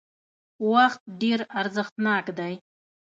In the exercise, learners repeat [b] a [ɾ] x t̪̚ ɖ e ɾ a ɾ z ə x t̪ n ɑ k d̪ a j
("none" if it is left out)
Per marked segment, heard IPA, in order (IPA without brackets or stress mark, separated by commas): w, none